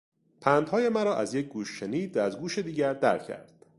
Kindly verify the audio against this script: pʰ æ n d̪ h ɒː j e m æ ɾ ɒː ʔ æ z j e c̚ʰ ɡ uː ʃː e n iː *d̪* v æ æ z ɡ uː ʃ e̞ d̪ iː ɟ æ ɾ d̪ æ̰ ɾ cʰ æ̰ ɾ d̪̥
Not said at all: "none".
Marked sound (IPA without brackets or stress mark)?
d̪